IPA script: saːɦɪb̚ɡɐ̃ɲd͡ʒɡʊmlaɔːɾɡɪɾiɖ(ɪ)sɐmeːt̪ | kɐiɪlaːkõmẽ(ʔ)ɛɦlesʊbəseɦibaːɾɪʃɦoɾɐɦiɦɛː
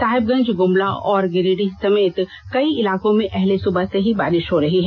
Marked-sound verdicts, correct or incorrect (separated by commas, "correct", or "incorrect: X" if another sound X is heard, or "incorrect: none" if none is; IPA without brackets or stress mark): incorrect: i, correct